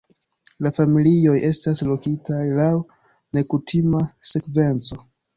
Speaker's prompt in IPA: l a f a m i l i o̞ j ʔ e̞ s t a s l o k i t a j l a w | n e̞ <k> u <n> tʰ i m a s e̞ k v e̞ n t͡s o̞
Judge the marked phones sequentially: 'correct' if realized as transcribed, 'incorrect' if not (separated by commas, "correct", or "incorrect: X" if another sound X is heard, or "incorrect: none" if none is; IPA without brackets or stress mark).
correct, incorrect: none